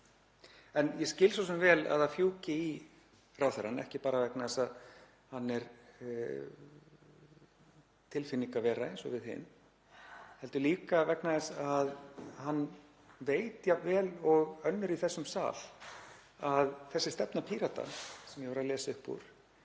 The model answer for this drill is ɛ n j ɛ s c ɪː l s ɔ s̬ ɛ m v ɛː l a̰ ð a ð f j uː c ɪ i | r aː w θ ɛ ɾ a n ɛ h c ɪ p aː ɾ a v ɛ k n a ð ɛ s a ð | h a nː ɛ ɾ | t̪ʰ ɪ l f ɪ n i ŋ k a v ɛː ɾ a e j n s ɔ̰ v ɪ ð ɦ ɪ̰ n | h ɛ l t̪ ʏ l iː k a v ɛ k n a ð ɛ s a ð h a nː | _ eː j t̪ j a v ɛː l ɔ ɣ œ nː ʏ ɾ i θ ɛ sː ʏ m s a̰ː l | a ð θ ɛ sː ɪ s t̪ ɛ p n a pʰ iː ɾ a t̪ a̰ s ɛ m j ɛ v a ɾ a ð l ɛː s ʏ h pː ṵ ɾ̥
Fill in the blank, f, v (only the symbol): v